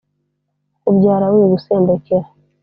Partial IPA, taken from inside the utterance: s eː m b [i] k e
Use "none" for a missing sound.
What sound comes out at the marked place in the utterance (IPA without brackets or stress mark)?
e